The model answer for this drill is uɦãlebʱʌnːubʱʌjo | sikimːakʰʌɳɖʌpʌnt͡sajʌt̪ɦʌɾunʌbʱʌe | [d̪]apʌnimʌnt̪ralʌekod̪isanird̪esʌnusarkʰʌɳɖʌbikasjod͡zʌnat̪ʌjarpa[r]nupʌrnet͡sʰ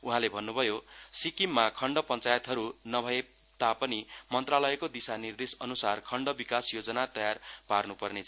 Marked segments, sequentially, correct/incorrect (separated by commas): incorrect, correct